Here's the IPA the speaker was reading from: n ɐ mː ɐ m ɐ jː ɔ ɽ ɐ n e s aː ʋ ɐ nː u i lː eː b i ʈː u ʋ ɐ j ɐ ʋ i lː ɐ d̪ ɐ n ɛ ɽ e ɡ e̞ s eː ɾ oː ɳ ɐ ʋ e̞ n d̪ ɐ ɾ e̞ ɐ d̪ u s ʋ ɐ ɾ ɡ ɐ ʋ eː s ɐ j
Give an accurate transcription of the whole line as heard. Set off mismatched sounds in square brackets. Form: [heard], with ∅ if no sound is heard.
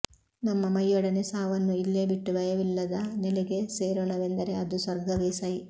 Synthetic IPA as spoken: n ɐ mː ɐ m ɐ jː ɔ ɽ ɐ n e s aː ʋ ɐ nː u i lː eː b i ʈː u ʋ ɐ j ɐ ʋ i lː ɐ d̪ ɐ n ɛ [l] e ɡ e̞ s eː ɾ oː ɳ ɐ ʋ e̞ n d̪ ɐ ɾ e̞ ɐ d̪ u s ʋ ɐ ɾ ɡ ɐ ʋ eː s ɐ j